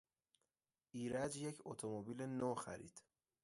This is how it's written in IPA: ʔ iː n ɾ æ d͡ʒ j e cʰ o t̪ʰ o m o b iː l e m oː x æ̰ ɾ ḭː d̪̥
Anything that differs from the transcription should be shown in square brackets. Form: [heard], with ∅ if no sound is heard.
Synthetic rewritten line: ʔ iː [∅] ɾ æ d͡ʒ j e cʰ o t̪ʰ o m o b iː l e [n] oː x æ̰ ɾ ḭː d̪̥

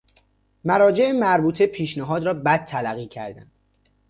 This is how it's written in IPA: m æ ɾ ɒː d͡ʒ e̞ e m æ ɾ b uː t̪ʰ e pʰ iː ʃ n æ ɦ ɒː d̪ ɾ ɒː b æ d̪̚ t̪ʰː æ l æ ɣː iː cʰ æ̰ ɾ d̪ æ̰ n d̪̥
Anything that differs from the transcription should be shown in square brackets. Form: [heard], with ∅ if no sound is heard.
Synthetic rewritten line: m æ ɾ ɒː d͡ʒ e̞ e m æ ɾ b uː t̪ʰ e pʰ iː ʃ n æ ɦ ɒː d̪ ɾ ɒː b æ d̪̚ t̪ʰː æ l æ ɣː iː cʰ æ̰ ɾ d̪ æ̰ n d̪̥

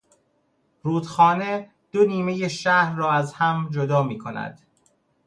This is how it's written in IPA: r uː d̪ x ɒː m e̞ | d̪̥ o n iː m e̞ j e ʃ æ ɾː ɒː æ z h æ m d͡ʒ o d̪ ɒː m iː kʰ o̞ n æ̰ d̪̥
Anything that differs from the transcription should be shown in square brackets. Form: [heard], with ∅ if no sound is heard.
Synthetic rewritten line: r uː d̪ x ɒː [n] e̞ | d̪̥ o n iː m e̞ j e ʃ æ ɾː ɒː æ z h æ m d͡ʒ o d̪ ɒː m iː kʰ o̞ n æ̰ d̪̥

